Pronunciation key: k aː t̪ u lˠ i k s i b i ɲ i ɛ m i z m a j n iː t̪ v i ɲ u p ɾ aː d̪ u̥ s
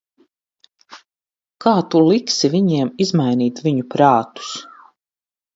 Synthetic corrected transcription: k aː t̪ u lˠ i k s i v i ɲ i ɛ m i z m a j n iː t̪ v i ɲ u p ɾ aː t̪ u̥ s